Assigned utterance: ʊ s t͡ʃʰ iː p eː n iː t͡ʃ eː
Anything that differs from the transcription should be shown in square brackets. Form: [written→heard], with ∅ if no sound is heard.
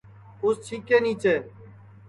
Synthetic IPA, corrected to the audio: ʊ s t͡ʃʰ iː [p→k] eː n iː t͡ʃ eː